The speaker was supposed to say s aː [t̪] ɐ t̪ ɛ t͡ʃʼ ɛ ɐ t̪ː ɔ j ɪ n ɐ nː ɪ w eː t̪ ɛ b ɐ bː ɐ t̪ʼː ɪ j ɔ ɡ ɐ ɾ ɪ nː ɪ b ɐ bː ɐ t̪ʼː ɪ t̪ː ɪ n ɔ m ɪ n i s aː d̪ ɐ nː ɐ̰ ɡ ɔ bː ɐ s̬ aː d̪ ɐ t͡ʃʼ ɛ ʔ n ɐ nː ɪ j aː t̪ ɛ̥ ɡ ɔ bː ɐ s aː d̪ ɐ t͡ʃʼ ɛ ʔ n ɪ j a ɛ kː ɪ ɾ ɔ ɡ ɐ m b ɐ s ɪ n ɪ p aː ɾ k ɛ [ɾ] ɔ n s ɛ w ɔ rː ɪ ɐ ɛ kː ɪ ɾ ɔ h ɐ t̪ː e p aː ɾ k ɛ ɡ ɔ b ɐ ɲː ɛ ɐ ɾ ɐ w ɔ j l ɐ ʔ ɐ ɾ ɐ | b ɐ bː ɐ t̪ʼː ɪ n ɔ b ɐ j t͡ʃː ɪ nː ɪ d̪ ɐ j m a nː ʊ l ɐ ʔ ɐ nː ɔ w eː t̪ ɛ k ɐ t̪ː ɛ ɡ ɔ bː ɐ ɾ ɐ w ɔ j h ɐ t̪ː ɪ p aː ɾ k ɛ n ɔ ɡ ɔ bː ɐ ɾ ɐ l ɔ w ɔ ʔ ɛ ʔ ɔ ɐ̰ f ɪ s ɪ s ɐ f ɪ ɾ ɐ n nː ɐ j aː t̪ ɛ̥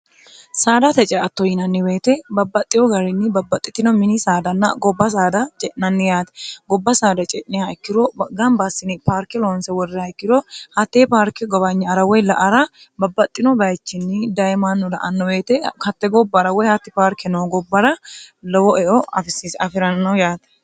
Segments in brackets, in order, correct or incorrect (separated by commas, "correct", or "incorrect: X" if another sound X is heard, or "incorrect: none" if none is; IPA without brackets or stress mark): incorrect: d̪, incorrect: l